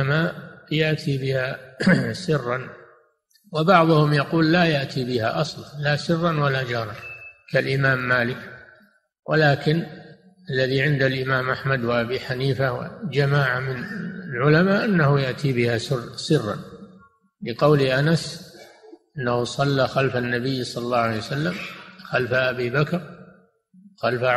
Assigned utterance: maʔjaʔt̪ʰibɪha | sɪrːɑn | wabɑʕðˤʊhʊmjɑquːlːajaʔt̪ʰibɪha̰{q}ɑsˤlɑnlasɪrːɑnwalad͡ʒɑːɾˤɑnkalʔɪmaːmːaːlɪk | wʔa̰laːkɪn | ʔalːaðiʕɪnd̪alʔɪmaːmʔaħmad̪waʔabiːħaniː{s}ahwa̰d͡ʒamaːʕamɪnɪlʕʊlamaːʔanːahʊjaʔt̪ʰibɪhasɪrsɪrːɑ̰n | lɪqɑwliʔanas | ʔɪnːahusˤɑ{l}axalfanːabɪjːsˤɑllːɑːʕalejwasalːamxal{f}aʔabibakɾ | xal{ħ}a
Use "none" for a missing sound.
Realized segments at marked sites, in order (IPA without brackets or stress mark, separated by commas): ʔ, f, lː, f, f